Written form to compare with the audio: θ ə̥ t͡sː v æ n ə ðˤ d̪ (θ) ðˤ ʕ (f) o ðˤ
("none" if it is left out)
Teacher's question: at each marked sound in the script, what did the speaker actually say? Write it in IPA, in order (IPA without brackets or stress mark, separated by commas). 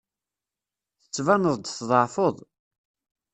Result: θ, f